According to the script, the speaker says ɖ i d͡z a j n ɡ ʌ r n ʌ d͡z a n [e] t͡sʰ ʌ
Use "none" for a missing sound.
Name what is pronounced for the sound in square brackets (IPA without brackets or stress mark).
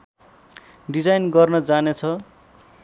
e